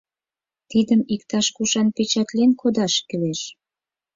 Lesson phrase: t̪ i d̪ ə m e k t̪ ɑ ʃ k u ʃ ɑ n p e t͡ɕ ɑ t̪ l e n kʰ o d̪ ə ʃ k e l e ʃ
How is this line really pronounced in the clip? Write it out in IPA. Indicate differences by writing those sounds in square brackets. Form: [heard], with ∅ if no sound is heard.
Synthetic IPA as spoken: t̪ i d̪ ə m [i] k t̪ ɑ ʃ k u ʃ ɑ n p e t͡ɕ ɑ t̪ l e n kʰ o d̪ [ɑ] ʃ k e l e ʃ